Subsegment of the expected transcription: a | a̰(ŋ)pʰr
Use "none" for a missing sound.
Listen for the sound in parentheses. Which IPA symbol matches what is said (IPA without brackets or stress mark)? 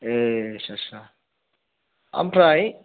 m